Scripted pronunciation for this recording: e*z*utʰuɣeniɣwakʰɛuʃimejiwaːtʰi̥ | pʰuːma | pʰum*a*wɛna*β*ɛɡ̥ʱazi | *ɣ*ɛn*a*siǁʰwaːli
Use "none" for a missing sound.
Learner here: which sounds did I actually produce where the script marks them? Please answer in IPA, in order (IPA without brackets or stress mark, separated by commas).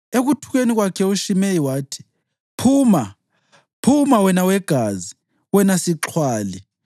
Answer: ɣ, a, w, w, a